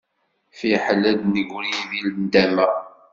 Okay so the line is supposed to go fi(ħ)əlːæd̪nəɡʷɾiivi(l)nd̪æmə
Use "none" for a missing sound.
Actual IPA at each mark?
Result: ħ, l

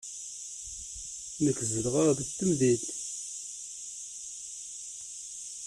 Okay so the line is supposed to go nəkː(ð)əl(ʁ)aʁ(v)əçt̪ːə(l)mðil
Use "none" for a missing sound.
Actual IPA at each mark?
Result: z, ʁ, ð, none

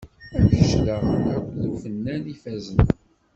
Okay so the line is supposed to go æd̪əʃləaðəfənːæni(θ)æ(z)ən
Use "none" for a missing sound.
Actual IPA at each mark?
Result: f, z

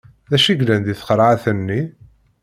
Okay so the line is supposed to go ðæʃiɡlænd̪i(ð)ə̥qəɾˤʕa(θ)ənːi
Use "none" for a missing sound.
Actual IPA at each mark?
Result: θ, θ

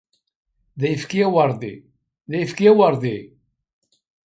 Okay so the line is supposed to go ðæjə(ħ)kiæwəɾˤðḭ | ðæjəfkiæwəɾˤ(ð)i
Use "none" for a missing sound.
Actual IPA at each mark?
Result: f, ð

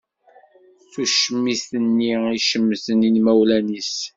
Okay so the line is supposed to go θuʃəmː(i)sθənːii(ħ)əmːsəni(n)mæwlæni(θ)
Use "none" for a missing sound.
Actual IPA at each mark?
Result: i, ʃ, n, s

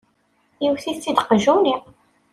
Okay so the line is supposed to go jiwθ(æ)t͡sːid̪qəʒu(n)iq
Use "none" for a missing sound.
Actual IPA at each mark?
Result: i, n

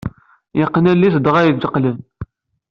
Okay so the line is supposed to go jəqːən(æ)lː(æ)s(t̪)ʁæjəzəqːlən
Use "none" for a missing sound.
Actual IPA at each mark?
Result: æ, i, d̪

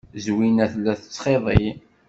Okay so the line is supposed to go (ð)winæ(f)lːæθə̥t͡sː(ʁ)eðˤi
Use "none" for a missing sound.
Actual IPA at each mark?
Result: z, θ, χ

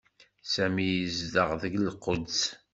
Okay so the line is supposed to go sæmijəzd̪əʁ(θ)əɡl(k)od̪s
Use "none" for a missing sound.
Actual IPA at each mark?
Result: ð, q

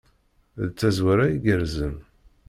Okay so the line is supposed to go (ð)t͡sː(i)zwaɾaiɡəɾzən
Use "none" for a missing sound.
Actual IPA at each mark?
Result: ð, æ

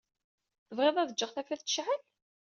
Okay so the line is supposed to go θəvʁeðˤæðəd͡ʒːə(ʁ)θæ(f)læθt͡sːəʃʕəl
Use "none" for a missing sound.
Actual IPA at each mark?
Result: ʁ, f

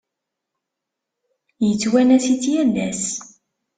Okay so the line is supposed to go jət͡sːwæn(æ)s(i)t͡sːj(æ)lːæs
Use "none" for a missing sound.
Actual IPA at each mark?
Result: æ, i, æ

